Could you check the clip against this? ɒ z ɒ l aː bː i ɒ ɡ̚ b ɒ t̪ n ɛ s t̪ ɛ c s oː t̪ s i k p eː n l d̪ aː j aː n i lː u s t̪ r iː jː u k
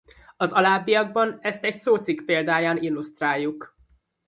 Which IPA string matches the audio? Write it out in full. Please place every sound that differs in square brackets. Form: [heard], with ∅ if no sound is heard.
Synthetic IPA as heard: ɒ z ɒ l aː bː i ɒ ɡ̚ b ɒ [∅] n ɛ s t̪ ɛ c s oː t̪ s i k p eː [∅] l d̪ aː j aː n i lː u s t̪ r [aː] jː u k